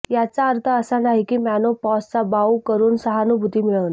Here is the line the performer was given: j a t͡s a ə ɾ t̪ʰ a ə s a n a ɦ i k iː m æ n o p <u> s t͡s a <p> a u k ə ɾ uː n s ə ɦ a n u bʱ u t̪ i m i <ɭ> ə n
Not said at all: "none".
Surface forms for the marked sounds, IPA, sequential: ɔ, b, ɭ

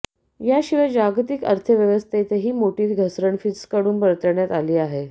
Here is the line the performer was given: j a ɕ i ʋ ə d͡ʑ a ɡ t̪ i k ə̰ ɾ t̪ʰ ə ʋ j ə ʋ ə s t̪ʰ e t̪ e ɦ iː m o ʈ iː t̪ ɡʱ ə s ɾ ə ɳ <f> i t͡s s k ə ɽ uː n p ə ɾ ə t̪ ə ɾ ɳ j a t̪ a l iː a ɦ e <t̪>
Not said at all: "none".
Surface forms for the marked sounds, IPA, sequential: f, none

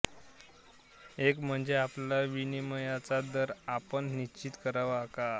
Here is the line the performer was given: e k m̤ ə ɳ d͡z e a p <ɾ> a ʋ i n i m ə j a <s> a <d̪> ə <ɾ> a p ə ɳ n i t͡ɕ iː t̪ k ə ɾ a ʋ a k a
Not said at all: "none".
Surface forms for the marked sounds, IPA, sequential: l, t͡s, d̪, ɾ

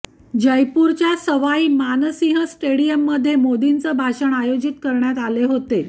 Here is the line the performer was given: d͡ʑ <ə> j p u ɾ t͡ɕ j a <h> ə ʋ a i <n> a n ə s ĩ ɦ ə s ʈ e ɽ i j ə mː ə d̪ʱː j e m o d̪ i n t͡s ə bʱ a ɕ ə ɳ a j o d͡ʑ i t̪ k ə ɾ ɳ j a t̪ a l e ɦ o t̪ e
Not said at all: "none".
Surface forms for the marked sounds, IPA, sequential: ə, s, m

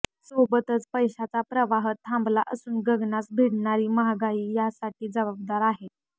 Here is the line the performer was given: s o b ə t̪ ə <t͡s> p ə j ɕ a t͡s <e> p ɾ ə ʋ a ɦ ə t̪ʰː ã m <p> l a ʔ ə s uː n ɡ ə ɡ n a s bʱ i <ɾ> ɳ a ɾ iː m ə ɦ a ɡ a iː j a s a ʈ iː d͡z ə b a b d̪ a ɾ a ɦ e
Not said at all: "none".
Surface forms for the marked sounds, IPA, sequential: t͡s, a, b, ɽ

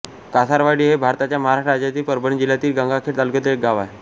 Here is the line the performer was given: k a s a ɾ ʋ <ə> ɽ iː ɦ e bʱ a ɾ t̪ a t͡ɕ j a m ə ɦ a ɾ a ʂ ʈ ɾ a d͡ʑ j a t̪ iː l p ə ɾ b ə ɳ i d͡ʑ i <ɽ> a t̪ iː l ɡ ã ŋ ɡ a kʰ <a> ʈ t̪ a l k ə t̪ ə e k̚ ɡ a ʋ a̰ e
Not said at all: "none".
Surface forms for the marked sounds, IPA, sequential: a, l, e

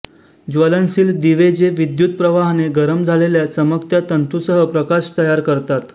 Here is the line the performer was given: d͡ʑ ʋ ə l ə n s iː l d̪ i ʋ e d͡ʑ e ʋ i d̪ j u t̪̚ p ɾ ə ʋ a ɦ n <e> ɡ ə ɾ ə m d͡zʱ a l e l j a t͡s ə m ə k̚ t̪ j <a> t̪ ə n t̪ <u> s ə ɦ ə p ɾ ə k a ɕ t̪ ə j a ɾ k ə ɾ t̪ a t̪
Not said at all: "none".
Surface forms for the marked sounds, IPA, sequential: e, a, u

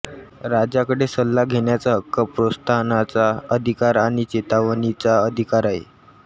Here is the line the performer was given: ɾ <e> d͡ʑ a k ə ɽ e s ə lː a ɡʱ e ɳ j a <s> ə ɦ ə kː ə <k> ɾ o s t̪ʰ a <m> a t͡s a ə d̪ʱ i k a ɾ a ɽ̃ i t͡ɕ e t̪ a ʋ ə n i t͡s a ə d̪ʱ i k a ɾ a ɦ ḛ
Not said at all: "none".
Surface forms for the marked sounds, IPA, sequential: a, t͡s, p, n

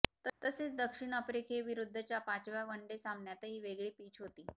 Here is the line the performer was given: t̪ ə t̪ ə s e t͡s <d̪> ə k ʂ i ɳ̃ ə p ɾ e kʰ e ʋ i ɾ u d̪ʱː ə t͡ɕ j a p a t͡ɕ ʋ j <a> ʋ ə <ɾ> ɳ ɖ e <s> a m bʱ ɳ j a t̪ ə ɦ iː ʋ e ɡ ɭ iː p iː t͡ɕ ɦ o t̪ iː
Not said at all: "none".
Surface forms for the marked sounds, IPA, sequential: d̪, a, none, s

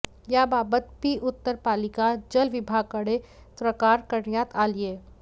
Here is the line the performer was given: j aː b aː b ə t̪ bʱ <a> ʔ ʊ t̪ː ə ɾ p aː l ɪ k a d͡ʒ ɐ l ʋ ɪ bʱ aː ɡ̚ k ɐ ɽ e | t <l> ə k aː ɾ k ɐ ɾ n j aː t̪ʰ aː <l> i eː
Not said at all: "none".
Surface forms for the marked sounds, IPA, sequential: i, ɾ, l

